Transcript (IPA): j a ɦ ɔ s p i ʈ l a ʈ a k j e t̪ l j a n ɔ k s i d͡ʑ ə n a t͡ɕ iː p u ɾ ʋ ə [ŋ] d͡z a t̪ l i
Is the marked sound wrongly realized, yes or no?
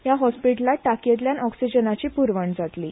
yes